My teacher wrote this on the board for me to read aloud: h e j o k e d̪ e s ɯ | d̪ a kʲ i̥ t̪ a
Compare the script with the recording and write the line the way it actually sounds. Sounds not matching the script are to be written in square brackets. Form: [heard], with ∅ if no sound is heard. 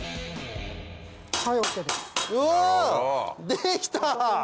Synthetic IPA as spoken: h [a] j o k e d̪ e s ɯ | d̪ [e] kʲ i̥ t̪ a

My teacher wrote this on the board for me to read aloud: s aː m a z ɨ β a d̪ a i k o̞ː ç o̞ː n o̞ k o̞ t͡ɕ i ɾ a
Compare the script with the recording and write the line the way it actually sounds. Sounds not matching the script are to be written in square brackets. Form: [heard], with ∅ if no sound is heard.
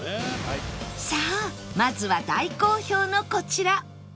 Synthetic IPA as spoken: s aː m a z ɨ β a d̪ a i k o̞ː ç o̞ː n o̞ k o̞ t͡ɕ i ɾ a

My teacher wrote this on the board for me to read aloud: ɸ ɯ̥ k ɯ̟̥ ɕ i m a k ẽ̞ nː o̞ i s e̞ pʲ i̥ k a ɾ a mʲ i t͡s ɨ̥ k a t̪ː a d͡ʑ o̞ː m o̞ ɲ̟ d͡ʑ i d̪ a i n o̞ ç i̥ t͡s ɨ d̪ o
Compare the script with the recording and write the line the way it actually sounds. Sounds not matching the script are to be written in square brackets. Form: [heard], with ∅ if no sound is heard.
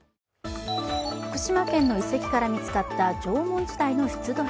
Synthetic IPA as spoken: ɸ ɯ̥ k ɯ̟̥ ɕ i m a k ẽ̞ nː o̞ i s e̞ [kʲ] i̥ k a ɾ a mʲ i t͡s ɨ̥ k a t̪ː a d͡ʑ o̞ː m [õ̞] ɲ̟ d͡ʑ i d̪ a i n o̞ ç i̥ t͡s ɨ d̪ o

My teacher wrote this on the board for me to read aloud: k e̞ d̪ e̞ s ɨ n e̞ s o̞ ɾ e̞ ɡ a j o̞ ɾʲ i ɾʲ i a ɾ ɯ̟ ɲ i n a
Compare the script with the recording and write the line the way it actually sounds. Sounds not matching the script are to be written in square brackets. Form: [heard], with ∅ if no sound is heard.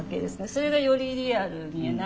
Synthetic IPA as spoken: k e̞ d̪ e̞ s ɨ n e̞ s o̞ ɾ e̞ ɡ a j o̞ ɾʲ i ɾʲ i a ɾ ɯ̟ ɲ i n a

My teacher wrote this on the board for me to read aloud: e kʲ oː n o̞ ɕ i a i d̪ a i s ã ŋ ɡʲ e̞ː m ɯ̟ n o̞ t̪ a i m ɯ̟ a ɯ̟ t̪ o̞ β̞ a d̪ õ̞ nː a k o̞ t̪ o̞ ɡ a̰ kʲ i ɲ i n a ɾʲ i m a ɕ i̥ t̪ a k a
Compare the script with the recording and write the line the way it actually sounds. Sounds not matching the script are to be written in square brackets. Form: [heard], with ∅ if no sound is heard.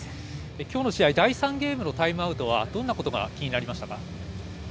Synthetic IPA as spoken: e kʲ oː n o̞ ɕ i a i d̪ a i s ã ŋ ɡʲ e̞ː m ɯ̟ n o̞ t̪ a i m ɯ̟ a ɯ̟ t̪ o̞ β̞ a d̪ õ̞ nː a k o̞ t̪ o̞ ɡ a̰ kʲ i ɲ i n a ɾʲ i m a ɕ i̥ t̪ a k a

